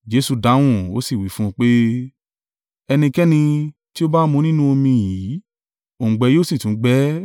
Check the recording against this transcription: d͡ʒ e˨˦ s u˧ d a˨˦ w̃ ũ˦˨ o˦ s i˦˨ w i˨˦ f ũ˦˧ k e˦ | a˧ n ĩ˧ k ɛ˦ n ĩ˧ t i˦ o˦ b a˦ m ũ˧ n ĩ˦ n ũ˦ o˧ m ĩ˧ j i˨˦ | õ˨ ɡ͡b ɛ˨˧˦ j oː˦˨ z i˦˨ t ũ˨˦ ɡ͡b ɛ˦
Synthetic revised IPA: d͡ʒ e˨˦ s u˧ d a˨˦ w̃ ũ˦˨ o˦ s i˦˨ w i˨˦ f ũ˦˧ k͡p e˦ | ɛ˧ n ĩ˧ k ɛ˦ n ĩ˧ t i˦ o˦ b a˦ m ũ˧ n ĩ˦ n ũ˦ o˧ m ĩ˧ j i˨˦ | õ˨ ɡ͡b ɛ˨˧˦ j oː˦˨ s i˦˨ t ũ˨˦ ɡ͡b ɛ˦